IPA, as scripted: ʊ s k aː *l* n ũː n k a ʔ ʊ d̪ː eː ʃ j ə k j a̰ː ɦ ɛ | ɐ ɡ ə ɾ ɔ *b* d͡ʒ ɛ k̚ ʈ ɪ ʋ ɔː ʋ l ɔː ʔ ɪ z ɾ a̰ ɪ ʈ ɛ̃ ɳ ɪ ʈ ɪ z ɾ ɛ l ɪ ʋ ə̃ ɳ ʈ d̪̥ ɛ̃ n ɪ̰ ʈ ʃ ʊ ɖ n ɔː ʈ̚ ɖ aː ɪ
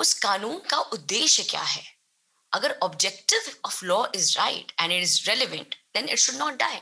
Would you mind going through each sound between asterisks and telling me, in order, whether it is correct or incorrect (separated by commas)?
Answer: incorrect, correct